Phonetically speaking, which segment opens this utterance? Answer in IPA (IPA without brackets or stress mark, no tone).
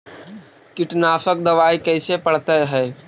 k